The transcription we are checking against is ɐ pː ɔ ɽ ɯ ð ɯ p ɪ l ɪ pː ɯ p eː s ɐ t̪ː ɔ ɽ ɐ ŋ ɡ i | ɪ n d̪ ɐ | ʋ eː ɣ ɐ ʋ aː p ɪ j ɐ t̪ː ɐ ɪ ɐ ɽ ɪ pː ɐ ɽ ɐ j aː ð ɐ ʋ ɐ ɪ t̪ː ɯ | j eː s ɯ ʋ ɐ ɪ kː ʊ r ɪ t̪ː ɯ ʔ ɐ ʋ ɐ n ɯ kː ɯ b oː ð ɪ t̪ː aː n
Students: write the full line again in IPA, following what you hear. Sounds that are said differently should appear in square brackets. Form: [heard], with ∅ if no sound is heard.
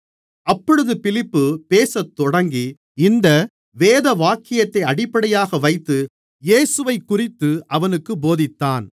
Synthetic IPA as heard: ɐ pː ɔ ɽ ɯ ð ɯ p ɪ l ɪ pː ɯ p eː s ɐ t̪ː ɔ ɽ ɐ ŋ ɡ i | ɪ n d̪ ɐ | ʋ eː [ð] ɐ ʋ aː [k] ɪ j ɐ t̪ː ɐ ɪ ɐ ɽ ɪ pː ɐ ɽ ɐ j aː [ɣ] ɐ ʋ ɐ ɪ t̪ː ɯ | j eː s ɯ ʋ ɐ ɪ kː ʊ r ɪ t̪ː ɯ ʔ ɐ ʋ ɐ n ɯ kː ɯ b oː ð ɪ t̪ː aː n